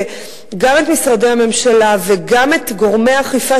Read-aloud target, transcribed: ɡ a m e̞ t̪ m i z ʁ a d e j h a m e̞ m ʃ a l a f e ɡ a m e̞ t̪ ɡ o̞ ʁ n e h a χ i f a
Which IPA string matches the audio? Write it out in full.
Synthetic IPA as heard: ɡ a m e̞ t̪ m i s ʁ a d e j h a m e̞ m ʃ a l a v e ɡ a m e̞ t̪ ɡ o̞ ʁ m e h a χ i f a